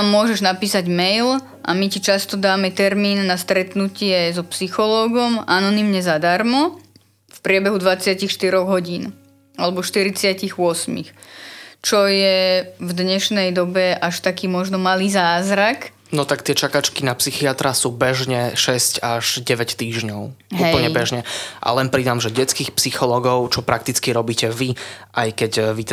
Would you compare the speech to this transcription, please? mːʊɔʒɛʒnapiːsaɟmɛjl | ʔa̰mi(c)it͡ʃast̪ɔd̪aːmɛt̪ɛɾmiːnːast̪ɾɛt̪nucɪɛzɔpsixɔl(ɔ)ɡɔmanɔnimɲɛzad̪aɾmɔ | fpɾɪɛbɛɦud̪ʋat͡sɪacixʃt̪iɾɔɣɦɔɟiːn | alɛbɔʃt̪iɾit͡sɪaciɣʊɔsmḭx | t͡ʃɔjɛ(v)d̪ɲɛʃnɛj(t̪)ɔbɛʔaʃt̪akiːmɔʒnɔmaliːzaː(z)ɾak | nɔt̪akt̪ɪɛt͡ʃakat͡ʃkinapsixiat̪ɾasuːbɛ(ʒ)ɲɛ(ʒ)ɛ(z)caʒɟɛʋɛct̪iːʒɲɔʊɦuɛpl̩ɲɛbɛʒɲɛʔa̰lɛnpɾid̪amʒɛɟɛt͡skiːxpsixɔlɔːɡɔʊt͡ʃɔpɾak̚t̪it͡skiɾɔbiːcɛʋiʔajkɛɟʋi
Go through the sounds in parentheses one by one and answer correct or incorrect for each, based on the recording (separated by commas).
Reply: correct, incorrect, correct, incorrect, correct, correct, incorrect, incorrect